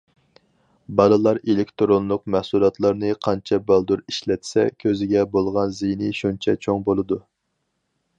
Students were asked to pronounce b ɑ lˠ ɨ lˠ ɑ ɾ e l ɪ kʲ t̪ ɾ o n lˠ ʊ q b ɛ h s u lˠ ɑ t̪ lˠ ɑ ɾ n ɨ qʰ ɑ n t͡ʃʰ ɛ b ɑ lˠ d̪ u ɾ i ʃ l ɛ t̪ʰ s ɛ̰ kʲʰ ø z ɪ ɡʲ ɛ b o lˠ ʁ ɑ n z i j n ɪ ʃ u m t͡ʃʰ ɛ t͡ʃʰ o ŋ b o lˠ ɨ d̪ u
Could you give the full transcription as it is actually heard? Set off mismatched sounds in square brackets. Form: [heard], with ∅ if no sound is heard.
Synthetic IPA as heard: b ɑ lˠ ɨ lˠ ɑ ɾ e l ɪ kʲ t̪ ɾ o n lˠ ʊ q [m] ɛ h s u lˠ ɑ t̪ lˠ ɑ ɾ n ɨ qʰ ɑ n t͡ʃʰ ɛ b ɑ lˠ d̪ u ɾ i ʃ l ɛ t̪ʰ s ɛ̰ kʲʰ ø z ɪ ɡʲ ɛ b o lˠ ʁ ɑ n z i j n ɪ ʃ u [n] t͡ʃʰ ɛ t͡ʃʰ o ŋ b o lˠ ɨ d̪ u